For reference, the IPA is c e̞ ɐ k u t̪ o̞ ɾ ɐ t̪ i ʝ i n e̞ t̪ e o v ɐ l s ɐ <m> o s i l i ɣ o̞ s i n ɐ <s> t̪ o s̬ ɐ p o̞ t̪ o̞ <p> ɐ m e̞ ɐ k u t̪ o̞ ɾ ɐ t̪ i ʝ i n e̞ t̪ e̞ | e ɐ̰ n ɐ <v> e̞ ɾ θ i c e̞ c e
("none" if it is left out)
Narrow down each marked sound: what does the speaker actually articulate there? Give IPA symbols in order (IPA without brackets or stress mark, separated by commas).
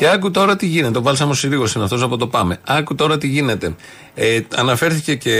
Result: m, f, p, f